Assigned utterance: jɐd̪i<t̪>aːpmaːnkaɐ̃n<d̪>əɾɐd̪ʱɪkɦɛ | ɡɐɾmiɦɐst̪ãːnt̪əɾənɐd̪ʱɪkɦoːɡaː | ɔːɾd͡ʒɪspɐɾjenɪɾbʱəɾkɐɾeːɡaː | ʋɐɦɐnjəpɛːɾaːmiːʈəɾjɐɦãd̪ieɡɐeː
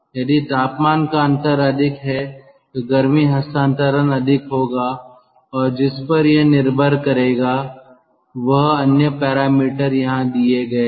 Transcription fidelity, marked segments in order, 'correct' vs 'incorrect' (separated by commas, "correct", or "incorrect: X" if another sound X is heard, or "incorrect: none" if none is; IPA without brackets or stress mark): correct, incorrect: t̪